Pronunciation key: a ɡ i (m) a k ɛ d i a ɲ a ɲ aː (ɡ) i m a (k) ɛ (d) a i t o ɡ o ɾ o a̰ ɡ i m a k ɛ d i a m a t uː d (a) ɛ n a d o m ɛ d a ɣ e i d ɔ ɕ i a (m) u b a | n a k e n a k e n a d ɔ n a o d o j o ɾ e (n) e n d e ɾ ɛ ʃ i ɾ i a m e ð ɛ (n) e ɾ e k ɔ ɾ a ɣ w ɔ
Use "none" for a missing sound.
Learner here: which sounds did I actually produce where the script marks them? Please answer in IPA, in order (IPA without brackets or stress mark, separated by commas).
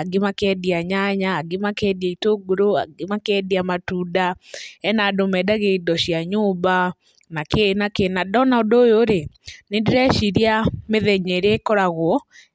m, ɡ, k, d, a, ɲ, n, ɲ